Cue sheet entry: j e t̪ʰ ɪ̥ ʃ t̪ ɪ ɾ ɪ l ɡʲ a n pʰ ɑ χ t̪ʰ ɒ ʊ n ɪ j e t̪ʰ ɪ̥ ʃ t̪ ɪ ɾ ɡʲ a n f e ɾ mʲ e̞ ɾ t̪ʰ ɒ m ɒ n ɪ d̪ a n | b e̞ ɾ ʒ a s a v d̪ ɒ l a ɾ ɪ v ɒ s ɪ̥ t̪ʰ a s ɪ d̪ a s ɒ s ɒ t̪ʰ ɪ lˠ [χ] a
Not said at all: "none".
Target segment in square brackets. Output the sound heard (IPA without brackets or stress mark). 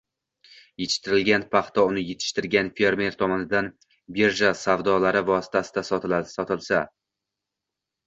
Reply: s